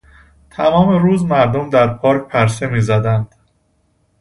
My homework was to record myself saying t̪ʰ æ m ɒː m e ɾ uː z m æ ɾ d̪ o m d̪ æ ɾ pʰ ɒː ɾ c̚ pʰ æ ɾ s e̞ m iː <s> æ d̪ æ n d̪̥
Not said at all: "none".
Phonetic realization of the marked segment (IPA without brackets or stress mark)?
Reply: z